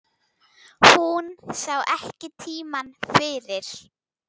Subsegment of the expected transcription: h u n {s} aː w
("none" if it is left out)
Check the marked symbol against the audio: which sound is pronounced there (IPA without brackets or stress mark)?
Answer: s